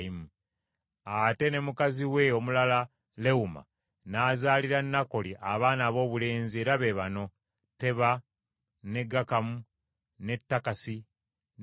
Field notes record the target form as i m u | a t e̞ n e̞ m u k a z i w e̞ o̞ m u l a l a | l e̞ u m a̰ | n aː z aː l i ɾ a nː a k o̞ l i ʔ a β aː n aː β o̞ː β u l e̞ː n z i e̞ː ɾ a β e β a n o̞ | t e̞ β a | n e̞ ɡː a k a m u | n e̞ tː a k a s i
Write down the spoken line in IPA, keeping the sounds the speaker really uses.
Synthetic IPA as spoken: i m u | a t e̞ n e̞ m u k a z i w e̞ o̞ m u l a l a | l e̞ u m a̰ | n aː z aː l i ɾ a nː a k o̞ l i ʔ a β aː n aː β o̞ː β u l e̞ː n z i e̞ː ɾ a β e β a n o̞ | t e̞ β a | n e̞ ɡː a k a m u | n e̞ tː a k a s i

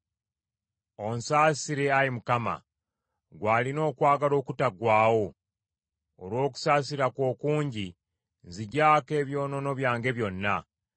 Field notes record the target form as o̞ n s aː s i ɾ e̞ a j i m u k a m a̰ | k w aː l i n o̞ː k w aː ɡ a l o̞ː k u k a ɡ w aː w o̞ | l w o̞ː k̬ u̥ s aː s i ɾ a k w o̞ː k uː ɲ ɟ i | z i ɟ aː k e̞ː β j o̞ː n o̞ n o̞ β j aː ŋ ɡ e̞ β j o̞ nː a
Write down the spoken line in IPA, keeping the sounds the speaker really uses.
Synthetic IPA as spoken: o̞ n s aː s i ɾ e̞ a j i m u k a m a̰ | ɡ w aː l i n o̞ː k w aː ɡ a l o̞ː k u t a ɡ w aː w o̞ | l w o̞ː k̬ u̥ s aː s i ɾ a k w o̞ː k uː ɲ ɟ i | z i ɟ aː k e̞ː β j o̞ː n o̞ n o̞ β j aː ŋ ɡ e̞ β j o̞ nː a

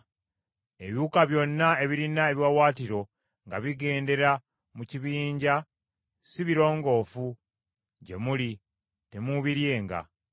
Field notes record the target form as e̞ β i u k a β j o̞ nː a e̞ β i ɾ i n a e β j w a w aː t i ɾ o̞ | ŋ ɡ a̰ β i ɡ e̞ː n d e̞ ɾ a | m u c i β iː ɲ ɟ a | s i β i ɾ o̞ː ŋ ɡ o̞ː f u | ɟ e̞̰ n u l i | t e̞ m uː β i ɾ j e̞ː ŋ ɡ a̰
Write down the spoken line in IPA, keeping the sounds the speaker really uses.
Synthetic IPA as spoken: e̞ β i u k a β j o̞ nː a e̞ β i ɾ i n a e β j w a w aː t i ɾ o̞ | ŋ ɡ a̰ β i ɡ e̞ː n d e̞ ɾ a | m u c i β iː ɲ ɟ a | s i β i ɾ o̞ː ŋ ɡ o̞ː f u | ɟ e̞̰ m u l i | t e̞ m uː β i ɾ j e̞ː ŋ ɡ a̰

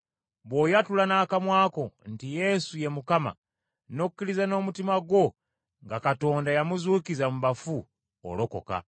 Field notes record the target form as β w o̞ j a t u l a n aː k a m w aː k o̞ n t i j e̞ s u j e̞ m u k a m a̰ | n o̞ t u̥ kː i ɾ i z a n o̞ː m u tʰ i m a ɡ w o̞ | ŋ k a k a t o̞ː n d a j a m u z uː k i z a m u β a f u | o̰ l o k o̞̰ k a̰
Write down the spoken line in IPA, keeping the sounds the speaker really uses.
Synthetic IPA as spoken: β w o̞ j a t u l a n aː k a m w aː k o̞ n t i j e̞ s u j e̞ m u k a m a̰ | n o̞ k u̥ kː i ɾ i z a n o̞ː m u t i m a ɡ w o̞ | ŋ ɡ a k a t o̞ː n d a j a m u z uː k i z a m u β a f u | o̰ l o k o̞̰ k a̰

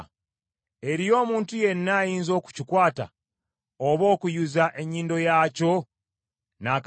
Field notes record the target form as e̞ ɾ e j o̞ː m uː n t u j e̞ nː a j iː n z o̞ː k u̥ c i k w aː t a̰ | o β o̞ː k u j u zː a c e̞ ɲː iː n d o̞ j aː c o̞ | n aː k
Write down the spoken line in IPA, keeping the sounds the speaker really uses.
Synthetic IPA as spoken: e̞ ɾ i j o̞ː m uː n t u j e̞ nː a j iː n z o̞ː k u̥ c i k w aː t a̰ | o β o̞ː k u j u z a ʔ e̞ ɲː iː n d o̞ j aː c o̞ | n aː k

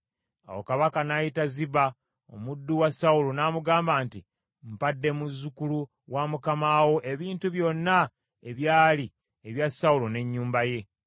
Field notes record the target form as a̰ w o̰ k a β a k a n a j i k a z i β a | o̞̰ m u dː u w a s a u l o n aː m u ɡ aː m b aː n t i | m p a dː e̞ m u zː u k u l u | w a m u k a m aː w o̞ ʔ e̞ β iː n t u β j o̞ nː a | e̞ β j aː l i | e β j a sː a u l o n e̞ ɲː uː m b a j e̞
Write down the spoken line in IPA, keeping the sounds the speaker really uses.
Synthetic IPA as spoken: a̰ w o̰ k a β a k a n a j i t a z i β a | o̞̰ m u dː u w a s a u l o n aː m u ɡ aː m b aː n t i | m p a dː e̞ m u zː u k u l u | w a m u k a m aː w o̞ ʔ e̞ β iː n t u β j o̞ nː a | e̞ β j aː l i | e β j a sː a u l o n e̞ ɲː uː m b a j e̞

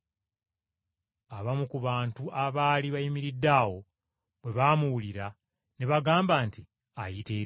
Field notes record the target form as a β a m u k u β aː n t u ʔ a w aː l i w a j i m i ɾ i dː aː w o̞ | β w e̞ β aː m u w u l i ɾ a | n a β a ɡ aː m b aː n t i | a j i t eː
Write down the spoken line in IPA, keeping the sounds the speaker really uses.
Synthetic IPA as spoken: a β a m u k u β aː n t u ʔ a β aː l i β a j i m i ɾ i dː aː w o̞ | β w e̞ β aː m u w u l i ɾ a | n e β a ɡ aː m b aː n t i | a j i t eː

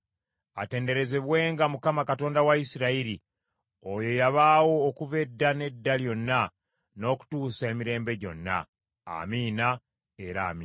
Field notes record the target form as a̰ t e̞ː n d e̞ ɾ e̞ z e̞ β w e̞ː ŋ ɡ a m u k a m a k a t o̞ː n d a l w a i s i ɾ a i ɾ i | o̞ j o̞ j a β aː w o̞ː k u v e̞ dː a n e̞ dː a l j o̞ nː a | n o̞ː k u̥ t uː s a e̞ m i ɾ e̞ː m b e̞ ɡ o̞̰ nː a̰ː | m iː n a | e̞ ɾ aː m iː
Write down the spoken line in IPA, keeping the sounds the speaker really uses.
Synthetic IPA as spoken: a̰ t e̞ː n d e̞ ɾ e̞ z e̞ β w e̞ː ŋ ɡ a m u k a m a k a t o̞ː n d a w a i s i ɾ a i ɾ i | o̞ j o̞ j a β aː w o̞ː k u v e̞ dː a n e̞ dː a l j o̞ nː a | n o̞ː k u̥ t uː s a e̞ m i ɾ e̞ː m b e̞ ɟ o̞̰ nː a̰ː | m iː n a | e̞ ɾ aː m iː

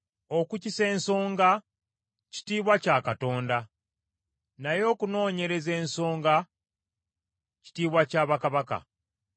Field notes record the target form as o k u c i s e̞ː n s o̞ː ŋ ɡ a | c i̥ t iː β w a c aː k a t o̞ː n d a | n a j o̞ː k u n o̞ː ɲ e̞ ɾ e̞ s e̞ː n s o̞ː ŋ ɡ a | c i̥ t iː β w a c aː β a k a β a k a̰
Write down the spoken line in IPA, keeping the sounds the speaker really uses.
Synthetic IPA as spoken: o k u c i s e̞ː n s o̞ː ŋ ɡ a | c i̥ t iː β w a c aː k a t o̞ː n d a | n a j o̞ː k u n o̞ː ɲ e̞ ɾ e̞ z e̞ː n s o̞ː ŋ ɡ a | c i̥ t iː β w a c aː β a k a β a k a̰

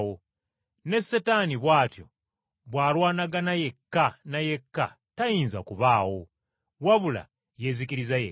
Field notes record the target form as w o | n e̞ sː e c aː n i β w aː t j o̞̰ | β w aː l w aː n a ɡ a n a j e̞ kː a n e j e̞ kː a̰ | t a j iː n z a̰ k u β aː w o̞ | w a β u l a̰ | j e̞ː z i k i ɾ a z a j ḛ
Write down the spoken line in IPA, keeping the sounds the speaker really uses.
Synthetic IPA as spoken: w o | n e̞ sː e t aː n i β w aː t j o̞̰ | β w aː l w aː n a ɡ a n a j e̞ kː a n a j e̞ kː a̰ | t a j iː n z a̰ k u β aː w o̞ | w a β u l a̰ | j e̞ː z i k i ɾ i z a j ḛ

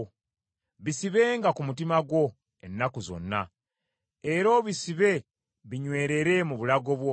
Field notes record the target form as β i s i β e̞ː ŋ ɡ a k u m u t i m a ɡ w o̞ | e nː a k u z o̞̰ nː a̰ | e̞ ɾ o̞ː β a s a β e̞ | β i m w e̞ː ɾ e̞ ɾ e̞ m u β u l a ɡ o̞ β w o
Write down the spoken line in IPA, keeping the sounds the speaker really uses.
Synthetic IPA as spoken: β i s i β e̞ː ŋ ɡ a k u m u t i m a ɡ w o̞ | e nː a k u z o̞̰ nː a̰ | e̞ ɾ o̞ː β i s i β e̞ | β i ɲ w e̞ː ɾ e̞ ɾ e̞ m u β u l a ɡ o̞ β w o

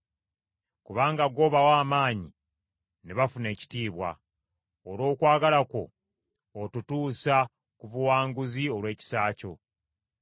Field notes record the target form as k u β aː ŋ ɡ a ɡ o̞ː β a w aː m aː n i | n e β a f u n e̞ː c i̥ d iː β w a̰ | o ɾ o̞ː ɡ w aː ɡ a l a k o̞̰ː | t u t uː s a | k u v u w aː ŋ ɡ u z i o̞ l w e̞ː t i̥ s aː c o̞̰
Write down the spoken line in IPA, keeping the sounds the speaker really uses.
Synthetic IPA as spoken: k u β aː ŋ ɡ a ɡ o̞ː β a w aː m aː ɲ i | n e β a f u n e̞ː c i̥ t iː β w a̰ | o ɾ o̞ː k w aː ɡ a l a k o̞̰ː | t u t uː s a | k u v u w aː ŋ ɡ u z i o̞ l w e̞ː c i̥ s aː c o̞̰

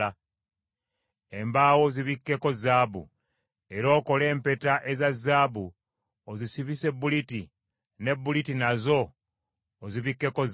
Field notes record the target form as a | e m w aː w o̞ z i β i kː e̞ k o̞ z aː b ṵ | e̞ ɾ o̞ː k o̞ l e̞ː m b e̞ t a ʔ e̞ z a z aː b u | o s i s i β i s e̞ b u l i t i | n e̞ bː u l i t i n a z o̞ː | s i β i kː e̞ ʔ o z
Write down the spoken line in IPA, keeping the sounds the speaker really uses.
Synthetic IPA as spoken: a | e m b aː w o̞ z i β i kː e̞ k o̞ z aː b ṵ | e̞ ɾ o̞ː k o̞ l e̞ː m p e̞ t a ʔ e̞ z a z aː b u | o z i s i β i s e̞ b u l i t i | n e̞ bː u l i t i n a z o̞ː | z i β i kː e̞ k o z

